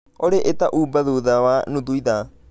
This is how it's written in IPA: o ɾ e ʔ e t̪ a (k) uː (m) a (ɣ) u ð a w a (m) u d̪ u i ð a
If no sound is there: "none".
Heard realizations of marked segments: ʔ, b, ð, n

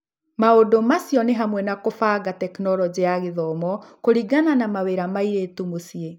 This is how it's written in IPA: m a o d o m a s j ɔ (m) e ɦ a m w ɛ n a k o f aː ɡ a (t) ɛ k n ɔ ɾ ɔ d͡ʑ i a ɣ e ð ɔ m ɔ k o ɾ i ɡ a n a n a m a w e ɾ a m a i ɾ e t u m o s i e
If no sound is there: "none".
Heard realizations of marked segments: n, t

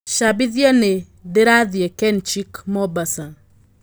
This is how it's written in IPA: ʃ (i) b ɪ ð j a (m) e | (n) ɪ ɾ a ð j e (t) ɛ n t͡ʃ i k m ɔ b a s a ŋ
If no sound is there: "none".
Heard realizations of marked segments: a, n, d, k

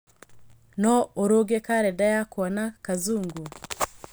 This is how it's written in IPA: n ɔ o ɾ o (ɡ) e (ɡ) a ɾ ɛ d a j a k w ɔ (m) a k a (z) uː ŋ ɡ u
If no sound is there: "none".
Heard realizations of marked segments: ɡ, k, n, z

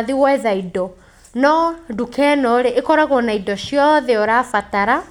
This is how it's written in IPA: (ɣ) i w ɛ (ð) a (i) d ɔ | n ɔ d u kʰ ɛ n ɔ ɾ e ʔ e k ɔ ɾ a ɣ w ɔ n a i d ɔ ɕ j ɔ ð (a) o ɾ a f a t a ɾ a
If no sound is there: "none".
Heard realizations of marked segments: ð, ð, i, ɛ

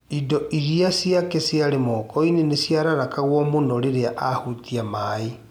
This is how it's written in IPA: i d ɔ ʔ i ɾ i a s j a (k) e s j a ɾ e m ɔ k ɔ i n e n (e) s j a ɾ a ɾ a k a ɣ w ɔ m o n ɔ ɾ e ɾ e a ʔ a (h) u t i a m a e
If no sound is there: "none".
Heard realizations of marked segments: k, e, h

